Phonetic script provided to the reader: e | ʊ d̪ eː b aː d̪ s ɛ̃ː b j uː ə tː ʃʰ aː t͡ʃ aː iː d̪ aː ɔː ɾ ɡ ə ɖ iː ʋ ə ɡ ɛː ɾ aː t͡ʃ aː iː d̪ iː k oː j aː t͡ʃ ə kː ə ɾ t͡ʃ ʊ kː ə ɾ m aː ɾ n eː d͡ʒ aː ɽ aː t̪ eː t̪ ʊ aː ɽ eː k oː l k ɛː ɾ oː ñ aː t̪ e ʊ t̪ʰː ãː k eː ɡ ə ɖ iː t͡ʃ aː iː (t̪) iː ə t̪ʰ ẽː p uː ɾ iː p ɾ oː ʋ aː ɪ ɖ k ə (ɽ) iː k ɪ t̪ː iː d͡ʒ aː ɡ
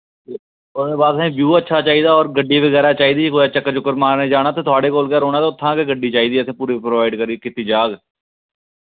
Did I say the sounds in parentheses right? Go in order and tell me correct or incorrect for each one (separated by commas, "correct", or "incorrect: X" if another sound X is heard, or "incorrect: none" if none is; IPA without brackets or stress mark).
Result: incorrect: d̪, incorrect: ɾ